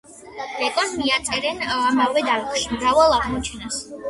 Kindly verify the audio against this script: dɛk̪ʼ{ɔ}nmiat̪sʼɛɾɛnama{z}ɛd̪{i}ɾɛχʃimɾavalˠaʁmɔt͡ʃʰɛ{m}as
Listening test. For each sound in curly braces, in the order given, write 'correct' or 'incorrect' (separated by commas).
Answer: correct, incorrect, incorrect, incorrect